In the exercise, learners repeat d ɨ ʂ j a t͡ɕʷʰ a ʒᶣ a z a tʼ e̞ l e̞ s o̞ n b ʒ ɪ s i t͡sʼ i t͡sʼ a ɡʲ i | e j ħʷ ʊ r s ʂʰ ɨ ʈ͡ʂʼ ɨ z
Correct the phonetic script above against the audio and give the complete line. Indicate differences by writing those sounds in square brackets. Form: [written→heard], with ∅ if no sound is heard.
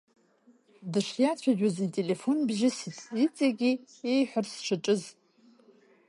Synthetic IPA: d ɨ ʂ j a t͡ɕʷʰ a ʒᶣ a z [a→i] tʼ e̞ l e̞ [s→f] o̞ n b ʒ ɪ s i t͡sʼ i t͡sʼ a ɡʲ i | e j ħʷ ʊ r s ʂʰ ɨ ʈ͡ʂʼ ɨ z